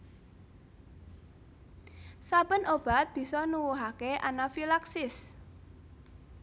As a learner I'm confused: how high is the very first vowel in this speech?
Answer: low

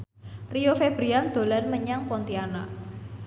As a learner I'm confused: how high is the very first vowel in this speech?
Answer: high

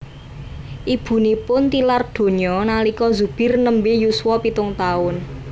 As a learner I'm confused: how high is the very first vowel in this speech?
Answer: high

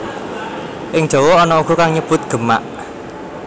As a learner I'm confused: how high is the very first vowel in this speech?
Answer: high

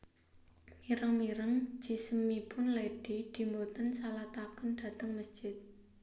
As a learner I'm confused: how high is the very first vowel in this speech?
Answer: high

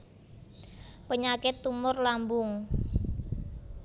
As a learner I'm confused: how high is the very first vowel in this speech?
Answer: mid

